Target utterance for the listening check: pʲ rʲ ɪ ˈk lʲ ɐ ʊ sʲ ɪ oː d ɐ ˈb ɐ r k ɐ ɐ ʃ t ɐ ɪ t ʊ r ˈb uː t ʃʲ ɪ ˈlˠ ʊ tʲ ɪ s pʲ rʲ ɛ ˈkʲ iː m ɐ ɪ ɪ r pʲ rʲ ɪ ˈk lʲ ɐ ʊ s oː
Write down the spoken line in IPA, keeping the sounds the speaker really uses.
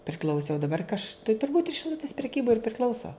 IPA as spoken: pʲ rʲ ɪ ˈk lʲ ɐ ʊ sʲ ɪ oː d ɐ ˈb ɐ r k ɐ ɐ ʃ t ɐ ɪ t ʊ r ˈb uː t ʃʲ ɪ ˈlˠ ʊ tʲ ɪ s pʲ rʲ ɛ ˈkʲ iː b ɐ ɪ ɪ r pʲ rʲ ɪ ˈk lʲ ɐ ʊ s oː